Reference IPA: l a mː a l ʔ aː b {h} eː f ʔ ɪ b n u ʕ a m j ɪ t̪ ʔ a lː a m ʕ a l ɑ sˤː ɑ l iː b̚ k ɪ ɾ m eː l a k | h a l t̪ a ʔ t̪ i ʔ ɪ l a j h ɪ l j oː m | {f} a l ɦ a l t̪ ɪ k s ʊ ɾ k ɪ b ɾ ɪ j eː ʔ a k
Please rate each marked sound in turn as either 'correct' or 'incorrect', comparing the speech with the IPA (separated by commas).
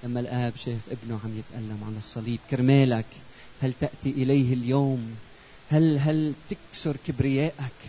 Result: incorrect, incorrect